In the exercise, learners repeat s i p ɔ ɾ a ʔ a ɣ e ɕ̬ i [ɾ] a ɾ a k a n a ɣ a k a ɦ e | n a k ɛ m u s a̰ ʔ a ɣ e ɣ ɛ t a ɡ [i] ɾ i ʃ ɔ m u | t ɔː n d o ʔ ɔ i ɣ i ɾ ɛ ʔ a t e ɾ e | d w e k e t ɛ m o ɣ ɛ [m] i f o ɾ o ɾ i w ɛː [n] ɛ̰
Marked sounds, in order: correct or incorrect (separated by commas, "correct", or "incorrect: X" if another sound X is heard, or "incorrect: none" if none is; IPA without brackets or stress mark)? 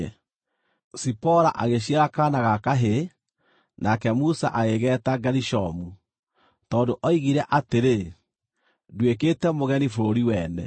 incorrect: none, incorrect: a, incorrect: n, correct